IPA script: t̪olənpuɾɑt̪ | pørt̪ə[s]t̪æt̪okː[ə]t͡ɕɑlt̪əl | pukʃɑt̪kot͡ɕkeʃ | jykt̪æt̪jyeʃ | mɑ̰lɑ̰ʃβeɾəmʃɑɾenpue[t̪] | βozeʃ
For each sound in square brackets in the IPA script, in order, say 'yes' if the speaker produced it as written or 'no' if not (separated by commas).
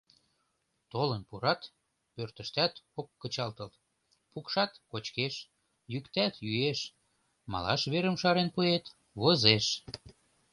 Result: no, yes, yes